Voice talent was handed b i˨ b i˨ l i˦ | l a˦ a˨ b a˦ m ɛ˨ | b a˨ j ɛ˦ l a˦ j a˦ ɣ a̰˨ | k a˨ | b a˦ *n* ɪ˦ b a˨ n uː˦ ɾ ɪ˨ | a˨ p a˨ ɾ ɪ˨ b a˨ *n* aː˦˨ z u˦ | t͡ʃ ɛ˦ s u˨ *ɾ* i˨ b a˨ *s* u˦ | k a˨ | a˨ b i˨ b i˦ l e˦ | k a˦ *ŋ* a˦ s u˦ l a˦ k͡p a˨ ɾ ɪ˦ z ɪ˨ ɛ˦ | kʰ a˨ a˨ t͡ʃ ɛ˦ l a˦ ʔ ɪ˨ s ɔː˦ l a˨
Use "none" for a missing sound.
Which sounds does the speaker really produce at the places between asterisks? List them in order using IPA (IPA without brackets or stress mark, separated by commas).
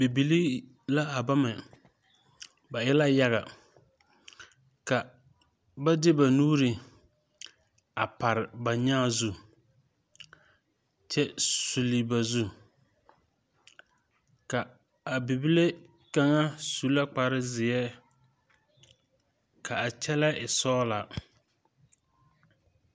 d, ɲ, l, z, ŋ